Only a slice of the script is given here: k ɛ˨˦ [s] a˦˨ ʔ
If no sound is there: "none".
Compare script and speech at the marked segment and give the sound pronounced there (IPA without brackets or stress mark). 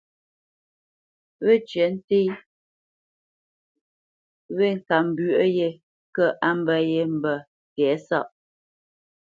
s